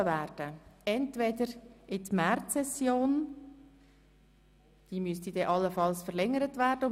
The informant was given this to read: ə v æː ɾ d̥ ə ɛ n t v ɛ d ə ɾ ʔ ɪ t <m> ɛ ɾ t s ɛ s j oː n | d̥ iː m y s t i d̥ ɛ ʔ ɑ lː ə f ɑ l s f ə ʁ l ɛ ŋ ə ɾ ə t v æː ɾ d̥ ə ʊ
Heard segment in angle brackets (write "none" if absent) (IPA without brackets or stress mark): m